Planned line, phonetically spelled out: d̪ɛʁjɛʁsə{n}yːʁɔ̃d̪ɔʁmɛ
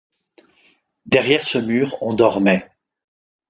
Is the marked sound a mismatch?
yes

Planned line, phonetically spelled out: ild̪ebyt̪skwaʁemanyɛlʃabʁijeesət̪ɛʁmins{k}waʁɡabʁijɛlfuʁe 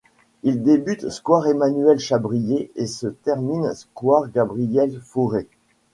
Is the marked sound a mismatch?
no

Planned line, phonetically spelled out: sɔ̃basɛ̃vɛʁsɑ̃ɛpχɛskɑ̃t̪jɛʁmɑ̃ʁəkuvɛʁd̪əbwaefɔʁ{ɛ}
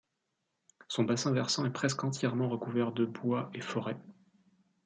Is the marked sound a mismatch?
no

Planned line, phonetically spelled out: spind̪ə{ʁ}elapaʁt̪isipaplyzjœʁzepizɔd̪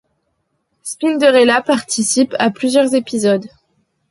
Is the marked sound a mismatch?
no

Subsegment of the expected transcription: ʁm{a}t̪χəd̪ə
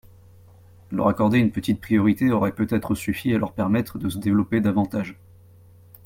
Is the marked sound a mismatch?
yes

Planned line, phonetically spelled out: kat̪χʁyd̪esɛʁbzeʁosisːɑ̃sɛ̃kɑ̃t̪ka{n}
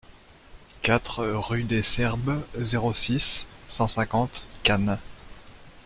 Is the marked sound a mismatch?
no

